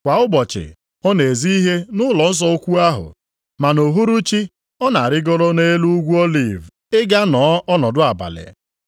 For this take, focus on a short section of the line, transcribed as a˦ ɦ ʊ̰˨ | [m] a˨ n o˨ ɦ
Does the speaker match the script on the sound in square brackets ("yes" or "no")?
yes